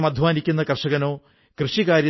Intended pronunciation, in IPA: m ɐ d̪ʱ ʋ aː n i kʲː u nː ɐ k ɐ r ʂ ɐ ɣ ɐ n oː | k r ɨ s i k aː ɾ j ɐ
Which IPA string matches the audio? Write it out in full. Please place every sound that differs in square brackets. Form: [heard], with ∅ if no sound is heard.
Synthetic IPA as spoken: m ɐ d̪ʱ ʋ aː n i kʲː u nː ɐ k ɐ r ʂ ɐ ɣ ɐ n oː | k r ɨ [ʂ] i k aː ɾ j ɐ